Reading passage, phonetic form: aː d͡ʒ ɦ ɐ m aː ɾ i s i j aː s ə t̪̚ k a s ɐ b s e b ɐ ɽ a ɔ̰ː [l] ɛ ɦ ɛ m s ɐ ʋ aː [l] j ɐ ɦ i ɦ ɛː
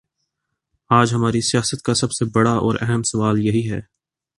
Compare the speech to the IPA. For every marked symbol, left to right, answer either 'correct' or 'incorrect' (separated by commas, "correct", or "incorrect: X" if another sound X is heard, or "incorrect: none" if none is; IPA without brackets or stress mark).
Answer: incorrect: ɾ, correct